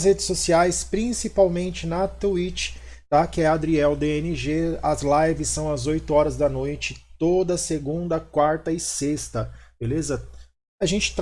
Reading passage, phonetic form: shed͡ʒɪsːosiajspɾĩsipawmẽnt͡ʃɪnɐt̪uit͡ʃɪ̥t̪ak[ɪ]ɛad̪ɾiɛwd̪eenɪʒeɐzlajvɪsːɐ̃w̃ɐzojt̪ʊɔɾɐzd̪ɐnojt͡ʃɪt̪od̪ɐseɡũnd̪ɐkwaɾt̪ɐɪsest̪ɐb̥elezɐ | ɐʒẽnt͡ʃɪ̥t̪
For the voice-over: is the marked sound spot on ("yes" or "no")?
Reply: yes